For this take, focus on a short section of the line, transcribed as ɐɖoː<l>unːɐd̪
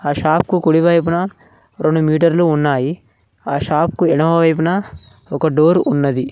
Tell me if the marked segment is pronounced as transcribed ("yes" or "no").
no